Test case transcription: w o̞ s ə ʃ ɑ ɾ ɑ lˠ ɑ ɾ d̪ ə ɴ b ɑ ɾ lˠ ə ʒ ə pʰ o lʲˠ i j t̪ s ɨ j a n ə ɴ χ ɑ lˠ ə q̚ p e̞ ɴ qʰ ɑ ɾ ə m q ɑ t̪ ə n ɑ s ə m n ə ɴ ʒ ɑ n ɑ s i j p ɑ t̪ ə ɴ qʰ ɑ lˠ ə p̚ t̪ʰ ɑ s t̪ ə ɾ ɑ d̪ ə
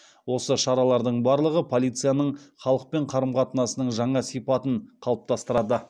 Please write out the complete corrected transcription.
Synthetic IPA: w o̞ s ə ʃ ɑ ɾ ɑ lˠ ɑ ɾ d̪ ə ɴ b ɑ ɾ lˠ ə ʁ ə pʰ o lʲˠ i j t̪ s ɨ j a n ə ɴ χ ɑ lˠ ə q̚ p e̞ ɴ qʰ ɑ ɾ ə m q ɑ t̪ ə n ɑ s ə n ə ɴ ʒ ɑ ɴ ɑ s i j p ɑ t̪ ə ɴ qʰ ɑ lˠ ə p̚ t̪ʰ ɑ s t̪ ə ɾ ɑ d̪ ə

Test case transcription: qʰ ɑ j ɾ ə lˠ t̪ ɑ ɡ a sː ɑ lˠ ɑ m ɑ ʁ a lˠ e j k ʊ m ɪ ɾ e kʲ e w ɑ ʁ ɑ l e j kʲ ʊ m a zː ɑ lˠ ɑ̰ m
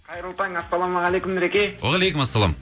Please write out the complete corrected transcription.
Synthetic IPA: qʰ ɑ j ɾ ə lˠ t̪ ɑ ŋ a sː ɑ lˠ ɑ m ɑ ʁ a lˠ e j k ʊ m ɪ ɾ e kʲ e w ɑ ʁ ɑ l e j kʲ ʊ m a sː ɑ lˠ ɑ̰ m

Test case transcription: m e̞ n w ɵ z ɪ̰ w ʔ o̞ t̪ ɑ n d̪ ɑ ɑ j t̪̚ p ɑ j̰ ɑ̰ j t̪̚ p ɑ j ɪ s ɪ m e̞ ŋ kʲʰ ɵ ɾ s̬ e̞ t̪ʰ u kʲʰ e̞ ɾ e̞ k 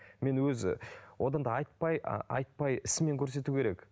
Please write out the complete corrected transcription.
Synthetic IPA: m e̞ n w ɵ z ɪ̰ w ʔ o̞ d̪ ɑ n d̪ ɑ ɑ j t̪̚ p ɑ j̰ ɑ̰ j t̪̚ p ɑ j ɪ s ɪ m e̞ ŋ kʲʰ ɵ ɾ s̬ e̞ t̪ u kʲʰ e̞ ɾ e̞ k

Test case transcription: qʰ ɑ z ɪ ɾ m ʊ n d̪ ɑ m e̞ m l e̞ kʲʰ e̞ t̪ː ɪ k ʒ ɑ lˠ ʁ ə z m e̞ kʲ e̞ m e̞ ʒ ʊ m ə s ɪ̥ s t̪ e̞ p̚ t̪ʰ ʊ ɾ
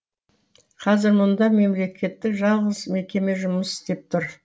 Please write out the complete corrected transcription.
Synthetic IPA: qʰ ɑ z ɪ ɾ m ʊ n d̪ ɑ m e̞ m l e̞ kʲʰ e̞ t̪ː ɪ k ʒ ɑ lˠ ʁ ə z m e̞ kʲ e̞ m e̞ ʒ ʊ m ə s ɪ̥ s t̪ e̞ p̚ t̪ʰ ʊ ɾ

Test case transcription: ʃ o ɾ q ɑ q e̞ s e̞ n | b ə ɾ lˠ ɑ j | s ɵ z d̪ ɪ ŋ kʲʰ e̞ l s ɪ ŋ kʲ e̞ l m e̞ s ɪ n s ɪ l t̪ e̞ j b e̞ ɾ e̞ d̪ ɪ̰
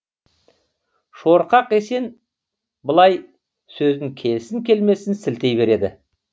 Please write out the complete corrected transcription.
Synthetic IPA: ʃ o ɾ q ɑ q e̞ s e̞ n | b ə lˠ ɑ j | s ɵ z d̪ ɪ ŋ kʲʰ e̞ l s ɪ ŋ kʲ e̞ l m e̞ s ɪ n s ɪ l t̪ e̞ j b e̞ ɾ e̞ d̪ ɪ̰

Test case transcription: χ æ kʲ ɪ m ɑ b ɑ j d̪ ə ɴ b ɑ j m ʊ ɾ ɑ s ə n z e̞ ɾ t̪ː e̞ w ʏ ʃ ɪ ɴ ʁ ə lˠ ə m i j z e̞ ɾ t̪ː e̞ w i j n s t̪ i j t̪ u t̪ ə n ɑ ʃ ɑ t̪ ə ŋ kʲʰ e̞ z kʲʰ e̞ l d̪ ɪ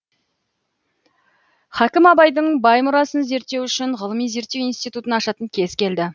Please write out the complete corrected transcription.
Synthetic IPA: χ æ kʲ ɪ m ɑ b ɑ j d̪ ə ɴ b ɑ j m ʊ ɾ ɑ s ə n z e̞ ɾ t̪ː e̞ w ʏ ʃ ɪ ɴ ʁ ə lˠ ə m i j z e̞ ɾ t̪ː e̞ w i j n s t̪ i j t̪ u t̪ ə n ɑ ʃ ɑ t̪ ə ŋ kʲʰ e̞ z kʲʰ e̞ l d̪ ɪ

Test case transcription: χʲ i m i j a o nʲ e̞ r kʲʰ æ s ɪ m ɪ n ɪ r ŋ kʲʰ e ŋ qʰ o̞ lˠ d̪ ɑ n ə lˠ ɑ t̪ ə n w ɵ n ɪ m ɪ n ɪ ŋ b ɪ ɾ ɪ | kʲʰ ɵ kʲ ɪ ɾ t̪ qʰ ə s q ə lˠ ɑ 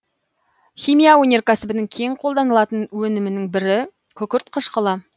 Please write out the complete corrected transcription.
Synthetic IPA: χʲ i m i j a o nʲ e̞ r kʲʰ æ s ɪ b ɪ n ɪ ŋ kʲʰ e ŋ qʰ o̞ lˠ d̪ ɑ n ə lˠ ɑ t̪ ə n w ɵ n ɪ m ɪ n ɪ ŋ b ɪ ɾ ɪ | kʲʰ ɵ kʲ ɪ ɾ t̪ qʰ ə ʃ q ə lˠ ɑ

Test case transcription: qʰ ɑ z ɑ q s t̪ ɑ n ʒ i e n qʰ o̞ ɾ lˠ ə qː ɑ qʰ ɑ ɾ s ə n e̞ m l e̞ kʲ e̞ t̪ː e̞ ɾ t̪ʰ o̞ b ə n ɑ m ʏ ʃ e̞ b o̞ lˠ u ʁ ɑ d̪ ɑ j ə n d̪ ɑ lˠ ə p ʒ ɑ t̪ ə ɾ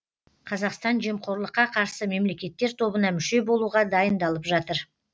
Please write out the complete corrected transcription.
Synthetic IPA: qʰ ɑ z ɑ q s t̪ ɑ n ʒ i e m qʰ o̞ ɾ lˠ ə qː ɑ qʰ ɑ ɾ s ə m e̞ m l e̞ kʲ e̞ t̪ː e̞ ɾ t̪ʰ o̞ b ə n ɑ m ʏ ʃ e̞ b o̞ lˠ u ʁ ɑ d̪ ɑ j ə n d̪ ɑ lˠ ə p ʒ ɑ t̪ ə ɾ

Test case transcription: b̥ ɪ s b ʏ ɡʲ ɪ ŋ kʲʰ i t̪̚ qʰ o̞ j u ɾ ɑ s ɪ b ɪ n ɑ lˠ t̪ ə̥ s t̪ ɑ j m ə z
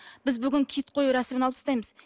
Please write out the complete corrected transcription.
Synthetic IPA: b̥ ɪ z b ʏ ɡʲ ɪ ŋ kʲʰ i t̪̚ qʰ o̞ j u ɾ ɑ s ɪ m ɪ n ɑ lˠ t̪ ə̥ s t̪ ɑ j m ə z

